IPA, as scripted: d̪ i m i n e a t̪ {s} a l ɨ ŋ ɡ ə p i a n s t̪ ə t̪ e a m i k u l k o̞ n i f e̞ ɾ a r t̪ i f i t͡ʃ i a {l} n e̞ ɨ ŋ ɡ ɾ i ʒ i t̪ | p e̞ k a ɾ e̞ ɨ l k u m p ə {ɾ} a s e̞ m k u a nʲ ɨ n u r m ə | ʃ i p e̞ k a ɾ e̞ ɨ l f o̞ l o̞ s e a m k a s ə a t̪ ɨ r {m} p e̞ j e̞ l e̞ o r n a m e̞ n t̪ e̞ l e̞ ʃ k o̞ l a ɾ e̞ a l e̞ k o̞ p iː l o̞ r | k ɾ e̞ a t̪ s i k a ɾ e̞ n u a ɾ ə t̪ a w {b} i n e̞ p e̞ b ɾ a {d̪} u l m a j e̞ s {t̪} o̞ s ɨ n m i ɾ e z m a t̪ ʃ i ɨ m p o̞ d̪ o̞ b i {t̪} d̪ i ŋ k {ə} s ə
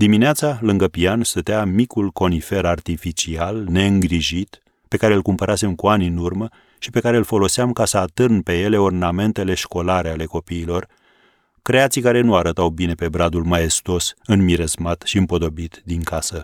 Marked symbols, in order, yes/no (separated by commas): yes, yes, yes, no, yes, yes, yes, yes, no